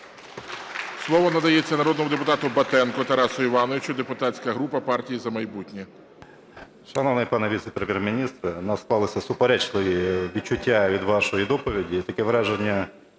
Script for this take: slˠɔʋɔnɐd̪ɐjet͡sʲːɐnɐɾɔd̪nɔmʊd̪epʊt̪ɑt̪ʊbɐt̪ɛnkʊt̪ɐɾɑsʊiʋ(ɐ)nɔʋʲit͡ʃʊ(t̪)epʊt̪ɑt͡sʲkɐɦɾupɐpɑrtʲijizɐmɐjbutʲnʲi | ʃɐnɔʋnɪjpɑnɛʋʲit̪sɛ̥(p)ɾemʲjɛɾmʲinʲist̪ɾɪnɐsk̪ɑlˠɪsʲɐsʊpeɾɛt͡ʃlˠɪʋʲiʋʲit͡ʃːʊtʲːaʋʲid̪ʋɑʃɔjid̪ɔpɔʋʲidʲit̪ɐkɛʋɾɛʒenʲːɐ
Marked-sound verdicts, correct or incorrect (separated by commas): incorrect, incorrect, correct